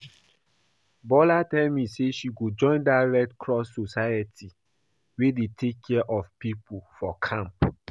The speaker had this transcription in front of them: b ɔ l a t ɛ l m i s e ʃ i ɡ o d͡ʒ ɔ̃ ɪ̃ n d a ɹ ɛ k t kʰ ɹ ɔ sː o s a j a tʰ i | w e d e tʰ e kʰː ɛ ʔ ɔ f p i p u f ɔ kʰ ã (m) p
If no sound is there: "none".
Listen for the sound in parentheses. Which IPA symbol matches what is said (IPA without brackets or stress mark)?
m